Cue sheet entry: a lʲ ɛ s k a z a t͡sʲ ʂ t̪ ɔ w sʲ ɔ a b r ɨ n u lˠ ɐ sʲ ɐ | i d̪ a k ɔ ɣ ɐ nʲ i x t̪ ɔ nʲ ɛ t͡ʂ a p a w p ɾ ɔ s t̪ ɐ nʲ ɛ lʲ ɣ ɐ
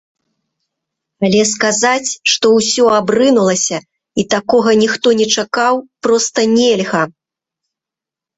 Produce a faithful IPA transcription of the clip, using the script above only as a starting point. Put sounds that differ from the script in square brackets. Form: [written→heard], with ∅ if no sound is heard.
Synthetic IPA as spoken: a lʲ ɛ s k a z a t͡sʲ ʂ t̪ ɔ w sʲ ɔ a b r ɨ n u lˠ ɐ sʲ ɐ | i [d̪→t̪] a k ɔ ɣ ɐ nʲ i x t̪ ɔ nʲ ɛ t͡ʂ a [p→k] a w p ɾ ɔ s t̪ ɐ nʲ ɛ lʲ ɣ ɐ